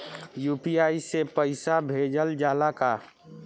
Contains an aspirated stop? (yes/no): no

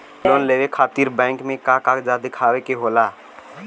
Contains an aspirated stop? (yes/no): yes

